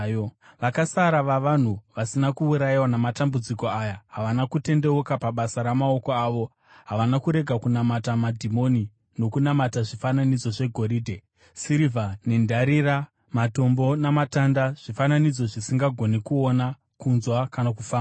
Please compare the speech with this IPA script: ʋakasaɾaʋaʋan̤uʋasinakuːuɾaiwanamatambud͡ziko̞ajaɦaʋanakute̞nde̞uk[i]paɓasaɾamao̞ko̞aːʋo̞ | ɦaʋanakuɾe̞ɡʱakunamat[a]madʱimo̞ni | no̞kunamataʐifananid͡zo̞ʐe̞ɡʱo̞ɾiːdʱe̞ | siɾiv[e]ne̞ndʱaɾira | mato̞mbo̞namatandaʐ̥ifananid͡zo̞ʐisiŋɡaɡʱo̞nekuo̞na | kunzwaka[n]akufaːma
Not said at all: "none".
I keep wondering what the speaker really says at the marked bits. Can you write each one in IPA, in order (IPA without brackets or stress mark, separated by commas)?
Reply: a, a, a, n